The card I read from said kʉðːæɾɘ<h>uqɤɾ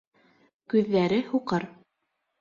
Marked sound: correct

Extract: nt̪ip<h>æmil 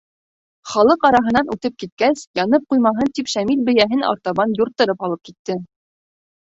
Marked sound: incorrect: ʃ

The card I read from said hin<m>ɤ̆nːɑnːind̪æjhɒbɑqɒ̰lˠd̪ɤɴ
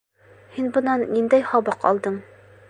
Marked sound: incorrect: b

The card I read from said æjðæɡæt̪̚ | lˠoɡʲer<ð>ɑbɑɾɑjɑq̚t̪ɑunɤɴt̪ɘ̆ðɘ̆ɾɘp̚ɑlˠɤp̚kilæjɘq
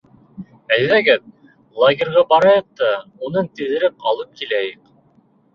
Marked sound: incorrect: ʁ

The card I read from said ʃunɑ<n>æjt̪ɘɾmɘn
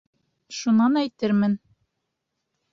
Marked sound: correct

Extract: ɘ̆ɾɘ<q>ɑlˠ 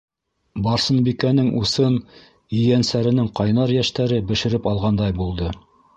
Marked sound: incorrect: p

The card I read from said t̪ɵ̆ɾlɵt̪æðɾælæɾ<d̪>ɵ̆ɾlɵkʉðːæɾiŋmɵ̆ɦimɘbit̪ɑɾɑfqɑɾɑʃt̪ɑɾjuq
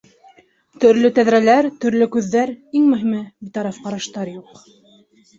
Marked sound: incorrect: t̪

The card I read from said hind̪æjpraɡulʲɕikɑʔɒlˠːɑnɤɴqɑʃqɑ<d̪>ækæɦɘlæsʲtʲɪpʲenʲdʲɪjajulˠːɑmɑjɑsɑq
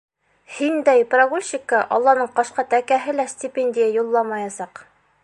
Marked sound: incorrect: t̪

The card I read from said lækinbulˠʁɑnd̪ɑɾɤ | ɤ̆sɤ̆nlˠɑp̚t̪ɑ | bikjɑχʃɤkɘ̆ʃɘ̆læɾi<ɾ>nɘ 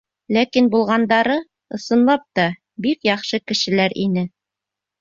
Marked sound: incorrect: none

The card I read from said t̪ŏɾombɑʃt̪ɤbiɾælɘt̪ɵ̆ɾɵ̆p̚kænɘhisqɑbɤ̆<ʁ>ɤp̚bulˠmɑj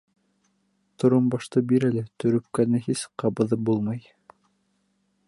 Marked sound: incorrect: ð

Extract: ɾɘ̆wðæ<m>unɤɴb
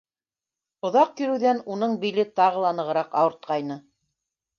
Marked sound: incorrect: n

